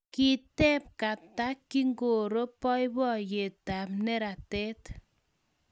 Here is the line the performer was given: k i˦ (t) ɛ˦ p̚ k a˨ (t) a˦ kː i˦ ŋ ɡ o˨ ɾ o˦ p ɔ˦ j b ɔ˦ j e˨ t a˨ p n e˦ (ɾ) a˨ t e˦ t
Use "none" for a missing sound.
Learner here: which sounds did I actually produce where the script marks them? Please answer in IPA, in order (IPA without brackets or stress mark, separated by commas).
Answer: t, t, ɾ